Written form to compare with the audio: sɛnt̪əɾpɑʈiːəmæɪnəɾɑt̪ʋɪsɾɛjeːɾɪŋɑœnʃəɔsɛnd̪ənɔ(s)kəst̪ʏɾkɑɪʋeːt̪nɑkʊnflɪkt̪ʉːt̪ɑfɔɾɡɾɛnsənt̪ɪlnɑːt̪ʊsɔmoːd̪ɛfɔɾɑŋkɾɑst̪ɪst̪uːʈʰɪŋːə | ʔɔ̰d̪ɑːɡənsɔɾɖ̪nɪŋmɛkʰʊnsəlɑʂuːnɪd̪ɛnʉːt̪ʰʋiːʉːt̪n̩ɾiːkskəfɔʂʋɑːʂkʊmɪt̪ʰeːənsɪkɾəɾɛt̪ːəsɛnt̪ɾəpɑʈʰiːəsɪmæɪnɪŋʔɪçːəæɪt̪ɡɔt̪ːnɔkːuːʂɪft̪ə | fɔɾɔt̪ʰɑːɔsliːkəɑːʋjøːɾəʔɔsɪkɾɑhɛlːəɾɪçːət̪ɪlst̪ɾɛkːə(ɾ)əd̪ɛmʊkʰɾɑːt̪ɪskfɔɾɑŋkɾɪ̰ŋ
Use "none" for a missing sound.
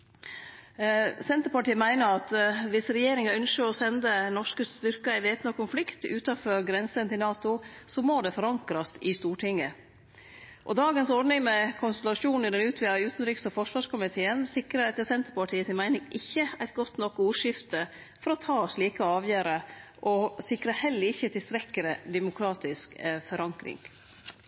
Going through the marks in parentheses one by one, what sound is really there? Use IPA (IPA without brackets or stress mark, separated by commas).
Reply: ʂ, ɾ